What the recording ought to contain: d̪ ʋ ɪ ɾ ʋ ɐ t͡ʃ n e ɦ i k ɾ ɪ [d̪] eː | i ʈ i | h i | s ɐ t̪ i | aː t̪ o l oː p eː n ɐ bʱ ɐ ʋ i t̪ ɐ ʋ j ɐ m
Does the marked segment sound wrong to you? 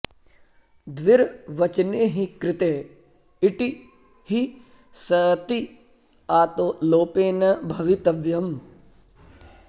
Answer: yes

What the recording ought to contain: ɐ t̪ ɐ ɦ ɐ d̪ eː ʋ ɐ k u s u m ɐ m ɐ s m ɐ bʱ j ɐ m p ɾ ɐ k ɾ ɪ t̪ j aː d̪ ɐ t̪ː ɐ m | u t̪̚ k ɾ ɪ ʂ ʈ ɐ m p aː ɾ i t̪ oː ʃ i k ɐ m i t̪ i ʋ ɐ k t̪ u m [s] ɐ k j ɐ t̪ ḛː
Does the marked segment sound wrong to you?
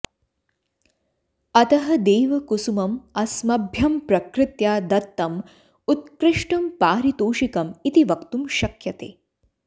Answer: yes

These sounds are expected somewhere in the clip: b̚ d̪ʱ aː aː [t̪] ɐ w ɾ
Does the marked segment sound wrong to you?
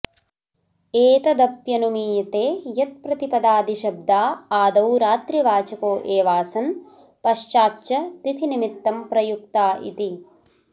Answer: yes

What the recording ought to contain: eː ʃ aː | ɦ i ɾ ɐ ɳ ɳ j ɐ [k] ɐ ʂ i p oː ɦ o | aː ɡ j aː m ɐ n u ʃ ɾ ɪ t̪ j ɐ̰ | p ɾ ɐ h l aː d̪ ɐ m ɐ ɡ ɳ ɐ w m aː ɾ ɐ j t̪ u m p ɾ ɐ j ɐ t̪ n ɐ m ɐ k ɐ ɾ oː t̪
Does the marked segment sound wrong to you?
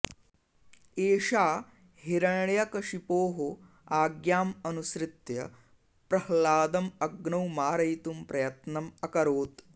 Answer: no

